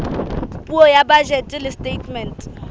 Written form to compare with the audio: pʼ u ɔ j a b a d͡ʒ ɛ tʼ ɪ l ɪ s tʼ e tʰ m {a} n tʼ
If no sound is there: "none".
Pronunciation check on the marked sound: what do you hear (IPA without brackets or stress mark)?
ɛ